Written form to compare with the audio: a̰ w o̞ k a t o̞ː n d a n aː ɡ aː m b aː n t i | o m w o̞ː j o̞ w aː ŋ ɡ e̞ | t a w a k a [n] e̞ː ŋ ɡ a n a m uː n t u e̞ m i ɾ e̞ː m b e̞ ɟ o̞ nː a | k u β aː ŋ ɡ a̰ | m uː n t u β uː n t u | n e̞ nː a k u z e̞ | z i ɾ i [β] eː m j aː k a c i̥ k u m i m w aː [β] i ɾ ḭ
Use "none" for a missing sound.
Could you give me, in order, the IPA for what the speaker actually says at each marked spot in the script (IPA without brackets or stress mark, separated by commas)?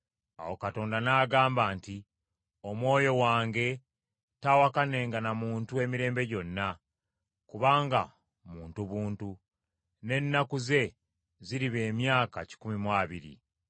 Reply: n, β, β